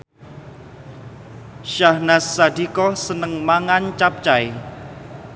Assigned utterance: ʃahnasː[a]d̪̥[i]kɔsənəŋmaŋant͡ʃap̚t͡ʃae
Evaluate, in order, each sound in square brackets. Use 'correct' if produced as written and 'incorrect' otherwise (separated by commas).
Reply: correct, correct